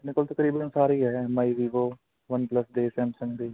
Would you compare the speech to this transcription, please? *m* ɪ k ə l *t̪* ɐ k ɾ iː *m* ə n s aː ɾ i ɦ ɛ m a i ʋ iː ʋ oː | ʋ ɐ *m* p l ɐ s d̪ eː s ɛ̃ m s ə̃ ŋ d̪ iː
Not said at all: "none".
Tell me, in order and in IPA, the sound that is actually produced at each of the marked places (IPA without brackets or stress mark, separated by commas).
n, t̪, b, n